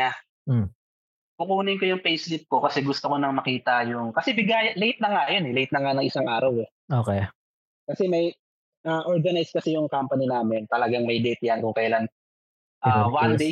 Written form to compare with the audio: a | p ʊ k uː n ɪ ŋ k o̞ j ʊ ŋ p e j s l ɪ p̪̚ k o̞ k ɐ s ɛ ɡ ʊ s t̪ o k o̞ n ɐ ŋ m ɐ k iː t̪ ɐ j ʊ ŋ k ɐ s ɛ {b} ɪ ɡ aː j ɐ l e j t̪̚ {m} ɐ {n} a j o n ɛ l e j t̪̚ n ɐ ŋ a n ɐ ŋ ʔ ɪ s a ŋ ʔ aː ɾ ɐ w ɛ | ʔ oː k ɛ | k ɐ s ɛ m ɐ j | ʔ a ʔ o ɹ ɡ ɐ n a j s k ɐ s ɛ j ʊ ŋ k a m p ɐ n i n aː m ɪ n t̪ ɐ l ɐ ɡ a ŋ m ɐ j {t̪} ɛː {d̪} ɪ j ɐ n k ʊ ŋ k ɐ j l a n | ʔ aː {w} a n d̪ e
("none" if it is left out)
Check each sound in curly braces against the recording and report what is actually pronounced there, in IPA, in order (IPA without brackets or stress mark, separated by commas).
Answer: b, n, ŋ, d̪, t̪, w